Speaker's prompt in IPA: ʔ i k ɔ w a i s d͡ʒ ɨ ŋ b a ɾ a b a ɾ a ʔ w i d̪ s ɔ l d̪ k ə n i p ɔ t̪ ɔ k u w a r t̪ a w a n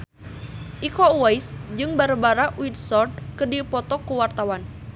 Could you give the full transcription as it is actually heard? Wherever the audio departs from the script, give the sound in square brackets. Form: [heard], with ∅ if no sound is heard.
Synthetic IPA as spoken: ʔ i k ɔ w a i s d͡ʒ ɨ ŋ b a ɾ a b a ɾ a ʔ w i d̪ s ɔ [r] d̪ k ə [d] i p ɔ t̪ ɔ k u w a r t̪ a w a n